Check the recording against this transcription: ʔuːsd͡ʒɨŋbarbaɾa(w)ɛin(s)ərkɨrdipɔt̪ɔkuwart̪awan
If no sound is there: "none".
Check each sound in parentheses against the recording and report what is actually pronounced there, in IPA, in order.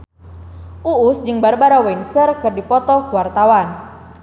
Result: w, s

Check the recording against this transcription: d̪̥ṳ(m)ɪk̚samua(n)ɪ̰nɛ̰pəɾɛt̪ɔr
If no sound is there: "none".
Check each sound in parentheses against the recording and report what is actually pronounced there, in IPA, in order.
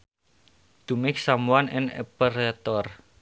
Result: m, n

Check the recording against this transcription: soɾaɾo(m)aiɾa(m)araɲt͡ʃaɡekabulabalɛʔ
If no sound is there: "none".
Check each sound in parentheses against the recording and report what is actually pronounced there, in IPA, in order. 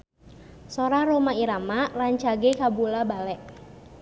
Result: m, m

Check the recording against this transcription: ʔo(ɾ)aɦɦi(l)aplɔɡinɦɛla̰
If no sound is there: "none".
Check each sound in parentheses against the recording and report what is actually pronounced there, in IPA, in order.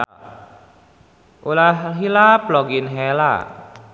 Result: l, l

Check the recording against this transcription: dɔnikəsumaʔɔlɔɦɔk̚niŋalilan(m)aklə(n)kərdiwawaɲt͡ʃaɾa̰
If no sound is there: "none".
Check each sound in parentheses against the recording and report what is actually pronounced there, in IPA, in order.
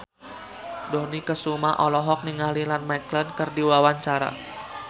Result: m, n

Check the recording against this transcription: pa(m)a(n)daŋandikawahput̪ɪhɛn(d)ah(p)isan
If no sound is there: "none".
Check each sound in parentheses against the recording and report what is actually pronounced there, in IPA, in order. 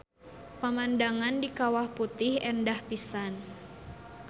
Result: m, n, d, p

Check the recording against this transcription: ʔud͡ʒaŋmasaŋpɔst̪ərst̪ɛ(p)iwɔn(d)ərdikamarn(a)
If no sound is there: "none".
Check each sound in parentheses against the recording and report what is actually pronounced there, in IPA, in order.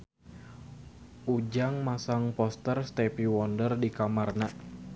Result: p, d, a

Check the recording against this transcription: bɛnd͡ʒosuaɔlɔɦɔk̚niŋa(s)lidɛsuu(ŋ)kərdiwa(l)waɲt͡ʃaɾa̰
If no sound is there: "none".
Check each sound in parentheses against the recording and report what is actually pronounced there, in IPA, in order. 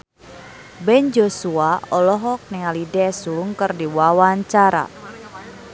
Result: none, ŋ, none

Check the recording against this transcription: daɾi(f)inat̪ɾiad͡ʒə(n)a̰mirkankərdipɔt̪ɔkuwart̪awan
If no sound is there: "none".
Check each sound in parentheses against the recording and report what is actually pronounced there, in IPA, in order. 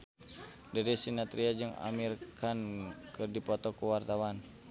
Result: s, ŋ

